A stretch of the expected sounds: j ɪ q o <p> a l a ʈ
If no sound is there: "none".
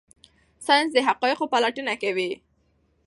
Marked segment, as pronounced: p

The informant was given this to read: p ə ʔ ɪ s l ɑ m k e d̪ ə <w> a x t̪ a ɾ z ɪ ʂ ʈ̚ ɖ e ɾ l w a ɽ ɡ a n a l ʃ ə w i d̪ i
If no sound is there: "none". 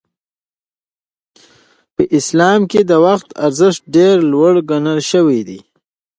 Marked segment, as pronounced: w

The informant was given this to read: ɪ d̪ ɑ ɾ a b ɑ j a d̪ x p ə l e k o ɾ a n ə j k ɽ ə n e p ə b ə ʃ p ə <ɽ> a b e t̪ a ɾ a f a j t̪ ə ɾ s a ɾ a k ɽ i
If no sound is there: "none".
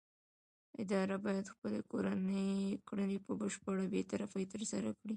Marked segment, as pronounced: ɽ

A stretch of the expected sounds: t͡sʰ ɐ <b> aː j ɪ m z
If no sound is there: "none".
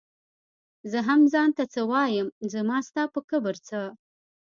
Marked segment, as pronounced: w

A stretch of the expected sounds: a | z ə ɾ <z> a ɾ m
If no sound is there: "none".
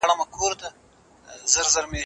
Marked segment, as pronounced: z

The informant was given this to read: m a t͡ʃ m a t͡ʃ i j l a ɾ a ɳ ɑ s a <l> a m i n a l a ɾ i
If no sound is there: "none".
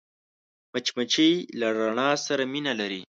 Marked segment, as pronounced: ɾ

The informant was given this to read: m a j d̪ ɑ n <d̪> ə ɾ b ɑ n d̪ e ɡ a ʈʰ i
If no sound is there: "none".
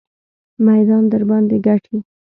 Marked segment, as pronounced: d̪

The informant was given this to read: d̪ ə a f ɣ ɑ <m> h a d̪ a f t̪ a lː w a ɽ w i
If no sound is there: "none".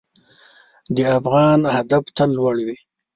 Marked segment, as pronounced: n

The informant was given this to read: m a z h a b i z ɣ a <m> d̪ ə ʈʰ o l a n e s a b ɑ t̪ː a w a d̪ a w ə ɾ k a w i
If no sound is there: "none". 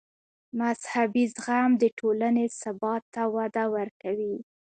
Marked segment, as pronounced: m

